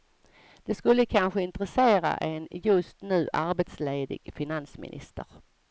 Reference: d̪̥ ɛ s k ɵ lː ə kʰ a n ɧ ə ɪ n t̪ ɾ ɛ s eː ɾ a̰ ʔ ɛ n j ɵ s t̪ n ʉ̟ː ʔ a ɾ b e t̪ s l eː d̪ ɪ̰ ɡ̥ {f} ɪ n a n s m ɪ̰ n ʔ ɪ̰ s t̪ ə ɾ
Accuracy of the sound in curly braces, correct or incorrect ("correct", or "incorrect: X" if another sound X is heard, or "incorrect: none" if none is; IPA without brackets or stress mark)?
correct